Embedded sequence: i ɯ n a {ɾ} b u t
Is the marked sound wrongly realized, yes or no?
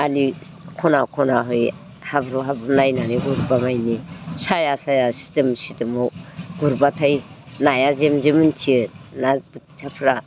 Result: yes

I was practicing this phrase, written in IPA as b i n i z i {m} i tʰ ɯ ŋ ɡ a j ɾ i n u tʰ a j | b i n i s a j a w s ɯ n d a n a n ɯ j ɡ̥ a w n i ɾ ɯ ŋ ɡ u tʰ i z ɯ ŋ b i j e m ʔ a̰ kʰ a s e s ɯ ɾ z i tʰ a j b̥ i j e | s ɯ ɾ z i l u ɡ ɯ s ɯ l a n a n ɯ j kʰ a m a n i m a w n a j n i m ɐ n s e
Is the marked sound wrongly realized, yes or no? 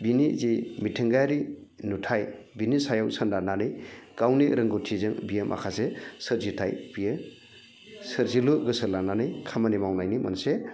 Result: no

